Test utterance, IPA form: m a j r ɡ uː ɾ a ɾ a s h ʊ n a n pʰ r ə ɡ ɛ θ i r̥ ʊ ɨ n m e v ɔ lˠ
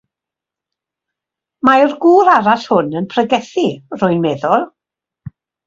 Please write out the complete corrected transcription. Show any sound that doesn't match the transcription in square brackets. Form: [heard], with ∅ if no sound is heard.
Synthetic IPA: m a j r ɡ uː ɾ a ɾ a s h ʊ n [ə] n pʰ r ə ɡ ɛ θ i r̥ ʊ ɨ n m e [ð] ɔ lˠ